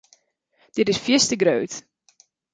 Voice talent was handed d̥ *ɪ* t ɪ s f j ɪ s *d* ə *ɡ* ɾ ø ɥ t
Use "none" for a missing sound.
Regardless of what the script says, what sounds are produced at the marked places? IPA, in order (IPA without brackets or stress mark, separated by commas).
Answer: ɪ, t, ɡ